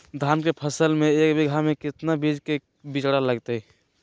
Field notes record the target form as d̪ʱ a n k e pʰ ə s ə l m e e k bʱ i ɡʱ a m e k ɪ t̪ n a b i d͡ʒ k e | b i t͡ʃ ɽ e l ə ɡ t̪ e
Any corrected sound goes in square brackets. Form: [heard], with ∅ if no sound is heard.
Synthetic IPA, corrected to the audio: d̪ʱ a n k e pʰ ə s ə l m e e k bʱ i ɡʱ a m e k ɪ t̪ n a b i d͡ʒ k e | b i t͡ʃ ɽ [a] l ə ɡ t̪ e